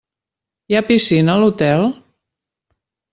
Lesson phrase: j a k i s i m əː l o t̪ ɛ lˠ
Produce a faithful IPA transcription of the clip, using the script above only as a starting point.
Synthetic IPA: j a p i s i n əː l u t̪ ɛ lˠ